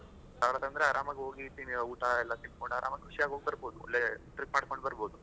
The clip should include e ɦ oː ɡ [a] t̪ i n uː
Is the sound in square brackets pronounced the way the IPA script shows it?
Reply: no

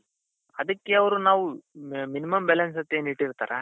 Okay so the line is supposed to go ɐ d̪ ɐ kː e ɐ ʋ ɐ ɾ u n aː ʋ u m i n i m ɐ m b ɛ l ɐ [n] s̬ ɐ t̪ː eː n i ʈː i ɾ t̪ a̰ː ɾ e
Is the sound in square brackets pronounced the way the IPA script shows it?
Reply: yes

